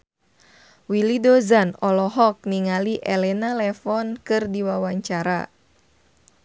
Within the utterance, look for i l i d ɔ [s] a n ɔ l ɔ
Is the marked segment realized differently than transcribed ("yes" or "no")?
yes